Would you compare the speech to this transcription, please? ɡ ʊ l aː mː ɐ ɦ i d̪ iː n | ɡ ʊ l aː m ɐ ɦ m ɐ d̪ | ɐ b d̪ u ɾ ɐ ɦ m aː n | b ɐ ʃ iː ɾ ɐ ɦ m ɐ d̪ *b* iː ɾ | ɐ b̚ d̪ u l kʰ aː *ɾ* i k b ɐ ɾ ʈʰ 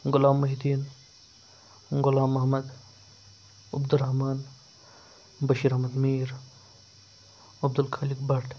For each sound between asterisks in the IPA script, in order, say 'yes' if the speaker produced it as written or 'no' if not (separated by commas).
no, no